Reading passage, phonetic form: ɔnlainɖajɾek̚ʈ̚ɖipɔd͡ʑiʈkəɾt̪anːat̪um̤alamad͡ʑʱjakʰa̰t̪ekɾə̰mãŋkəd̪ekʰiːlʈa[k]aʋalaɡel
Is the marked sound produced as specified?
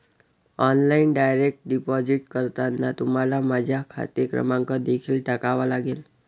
yes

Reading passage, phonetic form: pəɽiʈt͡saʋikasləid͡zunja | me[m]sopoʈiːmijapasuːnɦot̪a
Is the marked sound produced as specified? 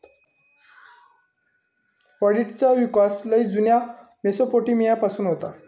no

